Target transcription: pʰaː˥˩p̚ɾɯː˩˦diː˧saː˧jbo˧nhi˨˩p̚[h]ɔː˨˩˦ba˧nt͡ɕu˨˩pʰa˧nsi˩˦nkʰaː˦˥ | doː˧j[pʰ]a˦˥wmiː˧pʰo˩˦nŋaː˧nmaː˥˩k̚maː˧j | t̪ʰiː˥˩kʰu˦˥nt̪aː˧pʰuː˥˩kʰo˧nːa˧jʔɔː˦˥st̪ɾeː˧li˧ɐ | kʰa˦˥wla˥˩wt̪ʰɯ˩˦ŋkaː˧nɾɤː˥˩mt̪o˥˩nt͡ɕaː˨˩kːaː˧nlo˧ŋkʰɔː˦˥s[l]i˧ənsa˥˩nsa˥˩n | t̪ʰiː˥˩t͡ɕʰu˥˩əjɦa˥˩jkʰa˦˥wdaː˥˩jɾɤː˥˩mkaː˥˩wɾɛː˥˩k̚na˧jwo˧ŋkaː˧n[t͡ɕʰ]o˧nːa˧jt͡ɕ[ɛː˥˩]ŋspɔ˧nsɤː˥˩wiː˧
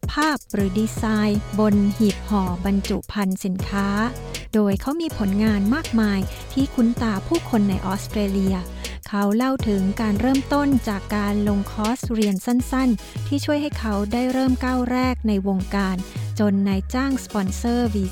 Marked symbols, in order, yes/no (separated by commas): yes, no, no, no, no